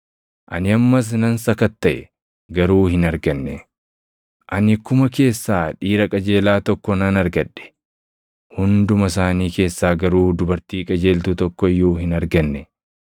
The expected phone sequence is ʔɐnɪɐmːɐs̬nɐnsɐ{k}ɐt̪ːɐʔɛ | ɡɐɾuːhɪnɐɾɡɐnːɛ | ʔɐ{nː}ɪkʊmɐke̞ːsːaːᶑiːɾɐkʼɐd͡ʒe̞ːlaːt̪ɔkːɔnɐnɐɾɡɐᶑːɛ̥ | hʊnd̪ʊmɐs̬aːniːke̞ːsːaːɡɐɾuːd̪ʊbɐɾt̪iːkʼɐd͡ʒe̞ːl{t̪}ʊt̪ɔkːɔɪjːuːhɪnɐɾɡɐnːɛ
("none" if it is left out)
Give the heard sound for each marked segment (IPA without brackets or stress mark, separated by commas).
k, n, t̪